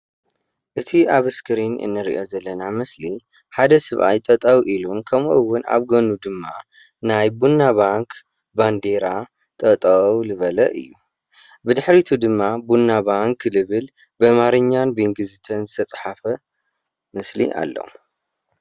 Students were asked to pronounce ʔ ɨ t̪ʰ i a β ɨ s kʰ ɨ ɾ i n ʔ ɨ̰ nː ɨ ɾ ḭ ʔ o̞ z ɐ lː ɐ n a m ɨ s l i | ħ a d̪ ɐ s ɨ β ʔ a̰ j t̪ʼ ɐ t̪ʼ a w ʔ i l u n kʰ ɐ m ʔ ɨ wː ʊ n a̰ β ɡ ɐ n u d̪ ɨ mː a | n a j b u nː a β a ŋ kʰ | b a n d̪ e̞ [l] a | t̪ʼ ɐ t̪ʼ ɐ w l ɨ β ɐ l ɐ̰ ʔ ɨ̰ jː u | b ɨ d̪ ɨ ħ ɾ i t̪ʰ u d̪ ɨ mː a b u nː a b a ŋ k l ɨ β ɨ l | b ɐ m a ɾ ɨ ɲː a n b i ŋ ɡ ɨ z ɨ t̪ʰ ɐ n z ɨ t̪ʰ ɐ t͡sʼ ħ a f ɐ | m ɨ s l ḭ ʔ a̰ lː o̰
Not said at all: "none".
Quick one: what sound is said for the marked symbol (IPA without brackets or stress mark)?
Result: ɾ